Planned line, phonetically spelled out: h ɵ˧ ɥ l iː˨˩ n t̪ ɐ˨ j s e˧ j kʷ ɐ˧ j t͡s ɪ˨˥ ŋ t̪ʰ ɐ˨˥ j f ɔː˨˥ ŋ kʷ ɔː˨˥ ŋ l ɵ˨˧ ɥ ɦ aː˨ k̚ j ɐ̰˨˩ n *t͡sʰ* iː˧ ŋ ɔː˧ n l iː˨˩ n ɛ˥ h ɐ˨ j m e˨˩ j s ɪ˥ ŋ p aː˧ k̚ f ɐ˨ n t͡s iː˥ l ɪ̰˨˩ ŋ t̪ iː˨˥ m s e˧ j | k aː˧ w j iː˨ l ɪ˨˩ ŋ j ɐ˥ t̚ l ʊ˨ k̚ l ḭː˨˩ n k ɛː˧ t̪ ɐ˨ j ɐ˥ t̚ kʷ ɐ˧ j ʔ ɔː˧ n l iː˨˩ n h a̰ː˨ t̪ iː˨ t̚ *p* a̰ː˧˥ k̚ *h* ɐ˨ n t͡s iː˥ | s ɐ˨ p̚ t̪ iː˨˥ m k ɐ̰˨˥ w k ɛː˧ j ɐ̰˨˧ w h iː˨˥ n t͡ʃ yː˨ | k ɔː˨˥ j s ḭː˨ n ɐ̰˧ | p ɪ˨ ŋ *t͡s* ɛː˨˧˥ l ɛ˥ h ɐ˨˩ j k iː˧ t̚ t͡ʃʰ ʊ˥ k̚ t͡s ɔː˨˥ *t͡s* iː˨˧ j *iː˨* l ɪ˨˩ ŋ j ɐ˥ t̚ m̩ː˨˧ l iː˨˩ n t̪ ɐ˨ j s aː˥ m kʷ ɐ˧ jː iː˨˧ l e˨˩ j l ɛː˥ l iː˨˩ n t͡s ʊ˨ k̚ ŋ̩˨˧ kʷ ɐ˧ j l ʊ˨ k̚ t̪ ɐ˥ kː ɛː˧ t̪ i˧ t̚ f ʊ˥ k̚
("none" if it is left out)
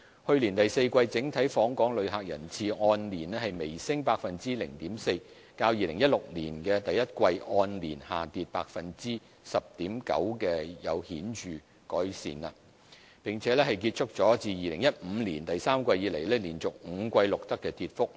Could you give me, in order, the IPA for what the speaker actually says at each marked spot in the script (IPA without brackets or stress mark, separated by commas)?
t͡sʰ, p, f, t͡sʰ, t͡s, iː˨